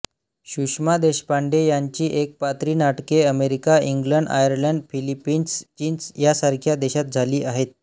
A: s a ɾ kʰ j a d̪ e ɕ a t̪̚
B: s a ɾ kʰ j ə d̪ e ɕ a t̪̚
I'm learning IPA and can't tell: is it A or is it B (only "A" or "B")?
A